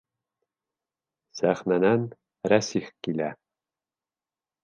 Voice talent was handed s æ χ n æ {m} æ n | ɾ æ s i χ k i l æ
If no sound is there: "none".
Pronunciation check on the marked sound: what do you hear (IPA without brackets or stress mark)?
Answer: n